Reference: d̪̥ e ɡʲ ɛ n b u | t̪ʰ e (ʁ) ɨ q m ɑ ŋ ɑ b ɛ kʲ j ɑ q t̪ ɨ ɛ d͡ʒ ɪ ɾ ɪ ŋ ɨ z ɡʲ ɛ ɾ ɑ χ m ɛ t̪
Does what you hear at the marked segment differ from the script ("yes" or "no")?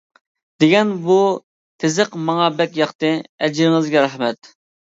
yes